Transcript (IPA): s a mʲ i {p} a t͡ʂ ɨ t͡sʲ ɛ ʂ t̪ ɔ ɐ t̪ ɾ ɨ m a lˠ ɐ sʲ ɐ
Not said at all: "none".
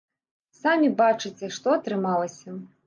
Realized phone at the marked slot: b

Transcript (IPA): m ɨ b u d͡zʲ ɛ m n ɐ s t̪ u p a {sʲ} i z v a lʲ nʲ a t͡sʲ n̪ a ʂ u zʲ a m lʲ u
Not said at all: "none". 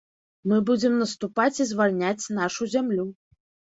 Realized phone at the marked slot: t͡sʲ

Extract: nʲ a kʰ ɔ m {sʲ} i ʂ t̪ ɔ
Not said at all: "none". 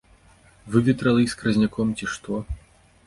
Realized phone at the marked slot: t͡sʲ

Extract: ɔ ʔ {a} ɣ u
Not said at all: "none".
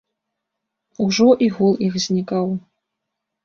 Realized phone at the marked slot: i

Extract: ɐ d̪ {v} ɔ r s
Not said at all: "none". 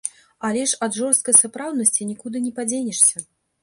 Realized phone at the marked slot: ʐ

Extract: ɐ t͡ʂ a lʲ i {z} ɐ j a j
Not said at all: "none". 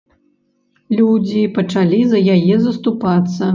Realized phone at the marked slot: z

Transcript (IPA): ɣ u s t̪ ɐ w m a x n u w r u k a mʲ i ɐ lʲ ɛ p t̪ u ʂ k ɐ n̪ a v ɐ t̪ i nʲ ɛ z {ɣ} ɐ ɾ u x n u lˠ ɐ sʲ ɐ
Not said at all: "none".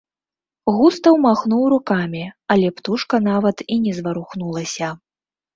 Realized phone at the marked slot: v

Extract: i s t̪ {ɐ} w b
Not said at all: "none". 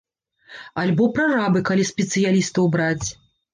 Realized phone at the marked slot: ɐ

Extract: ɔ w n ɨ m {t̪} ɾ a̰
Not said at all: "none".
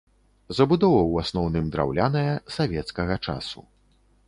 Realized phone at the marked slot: d̪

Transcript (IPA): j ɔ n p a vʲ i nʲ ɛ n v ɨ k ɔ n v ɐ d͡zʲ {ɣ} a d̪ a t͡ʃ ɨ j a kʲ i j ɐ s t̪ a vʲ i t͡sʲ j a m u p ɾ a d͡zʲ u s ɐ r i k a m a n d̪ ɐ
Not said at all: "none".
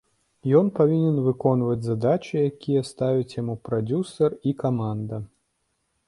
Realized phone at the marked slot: z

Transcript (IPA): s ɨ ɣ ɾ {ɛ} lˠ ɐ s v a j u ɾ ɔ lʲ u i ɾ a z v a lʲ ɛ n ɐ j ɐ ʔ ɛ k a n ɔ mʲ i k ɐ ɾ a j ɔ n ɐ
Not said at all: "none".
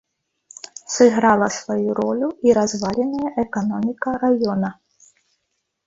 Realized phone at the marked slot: a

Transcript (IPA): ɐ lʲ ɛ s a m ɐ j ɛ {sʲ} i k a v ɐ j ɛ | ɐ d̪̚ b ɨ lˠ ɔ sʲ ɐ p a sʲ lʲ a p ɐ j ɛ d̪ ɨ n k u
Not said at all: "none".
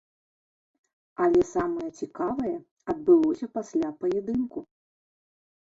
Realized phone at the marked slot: t͡sʲ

